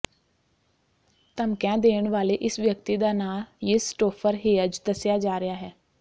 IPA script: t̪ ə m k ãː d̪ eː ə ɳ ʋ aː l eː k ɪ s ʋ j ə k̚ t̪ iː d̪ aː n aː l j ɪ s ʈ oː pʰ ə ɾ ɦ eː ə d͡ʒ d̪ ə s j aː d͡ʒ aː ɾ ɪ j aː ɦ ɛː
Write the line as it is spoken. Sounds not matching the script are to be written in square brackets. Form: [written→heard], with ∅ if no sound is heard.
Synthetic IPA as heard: t̪ ə m k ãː d̪ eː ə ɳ ʋ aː l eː [k→ʔ] ɪ s ʋ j ə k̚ t̪ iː d̪ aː n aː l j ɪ s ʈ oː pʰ ə ɾ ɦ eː ə d͡ʒ d̪ ə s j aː d͡ʒ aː ɾ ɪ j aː ɦ ɛː